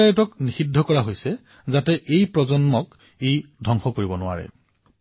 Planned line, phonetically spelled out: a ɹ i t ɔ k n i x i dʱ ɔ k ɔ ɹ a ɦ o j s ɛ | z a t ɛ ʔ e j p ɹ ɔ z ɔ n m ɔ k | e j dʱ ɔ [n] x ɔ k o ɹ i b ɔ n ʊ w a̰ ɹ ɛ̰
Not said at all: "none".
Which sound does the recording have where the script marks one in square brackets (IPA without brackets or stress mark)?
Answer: ŋ